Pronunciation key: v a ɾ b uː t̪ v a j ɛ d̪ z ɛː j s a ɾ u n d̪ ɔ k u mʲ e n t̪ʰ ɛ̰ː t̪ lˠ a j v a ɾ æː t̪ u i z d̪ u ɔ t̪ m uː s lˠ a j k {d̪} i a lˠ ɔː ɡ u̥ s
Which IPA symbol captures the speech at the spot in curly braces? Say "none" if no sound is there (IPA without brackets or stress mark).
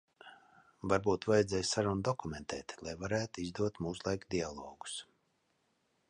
d̪